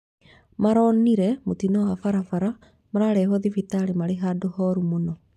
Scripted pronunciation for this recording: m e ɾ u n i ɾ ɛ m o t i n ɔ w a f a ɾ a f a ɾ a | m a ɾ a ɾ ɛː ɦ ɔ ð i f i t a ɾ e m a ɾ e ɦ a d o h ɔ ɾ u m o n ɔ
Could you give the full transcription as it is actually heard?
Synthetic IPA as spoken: m a ɾ ɔ n i ɾ ɛ m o t i n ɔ w a f a ɾ a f a ɾ a | m a ɾ a ɾ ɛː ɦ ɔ ð i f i t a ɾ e m a ɾ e ɦ a d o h ɔ ɾ u m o n ɔ